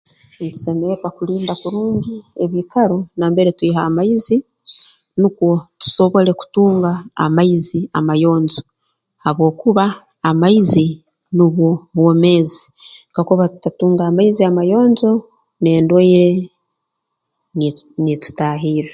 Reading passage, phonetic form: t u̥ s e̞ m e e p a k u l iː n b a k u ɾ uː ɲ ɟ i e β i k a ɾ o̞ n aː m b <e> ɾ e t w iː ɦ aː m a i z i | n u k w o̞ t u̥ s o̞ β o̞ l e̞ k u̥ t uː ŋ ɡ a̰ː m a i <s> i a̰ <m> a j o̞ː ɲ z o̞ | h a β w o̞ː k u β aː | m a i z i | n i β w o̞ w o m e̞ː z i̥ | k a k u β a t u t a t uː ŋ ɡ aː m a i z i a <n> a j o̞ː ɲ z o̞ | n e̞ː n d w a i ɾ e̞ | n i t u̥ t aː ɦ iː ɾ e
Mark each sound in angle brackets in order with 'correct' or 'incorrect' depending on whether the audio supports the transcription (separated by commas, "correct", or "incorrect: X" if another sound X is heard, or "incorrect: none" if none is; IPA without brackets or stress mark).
correct, incorrect: z, correct, incorrect: m